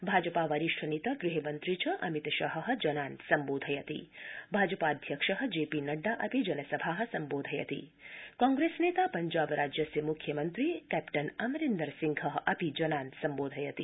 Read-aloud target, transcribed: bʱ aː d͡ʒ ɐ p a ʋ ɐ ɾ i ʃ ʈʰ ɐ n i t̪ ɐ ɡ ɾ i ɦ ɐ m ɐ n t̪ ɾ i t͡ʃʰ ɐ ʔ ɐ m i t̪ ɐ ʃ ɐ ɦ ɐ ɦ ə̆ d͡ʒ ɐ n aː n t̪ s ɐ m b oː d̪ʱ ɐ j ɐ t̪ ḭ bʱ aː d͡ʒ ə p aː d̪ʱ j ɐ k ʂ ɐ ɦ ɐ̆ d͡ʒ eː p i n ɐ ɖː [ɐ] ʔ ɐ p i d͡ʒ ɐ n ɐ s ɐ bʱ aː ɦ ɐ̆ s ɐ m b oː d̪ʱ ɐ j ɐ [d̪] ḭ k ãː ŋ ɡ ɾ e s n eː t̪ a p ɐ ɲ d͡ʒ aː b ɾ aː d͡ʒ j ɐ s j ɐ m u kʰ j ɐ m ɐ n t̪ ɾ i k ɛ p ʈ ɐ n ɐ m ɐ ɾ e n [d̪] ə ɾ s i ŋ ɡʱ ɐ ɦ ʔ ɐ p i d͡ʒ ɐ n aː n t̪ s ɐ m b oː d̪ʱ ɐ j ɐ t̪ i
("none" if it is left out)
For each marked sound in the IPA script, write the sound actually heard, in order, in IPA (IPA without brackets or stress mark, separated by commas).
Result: a, t̪, d̪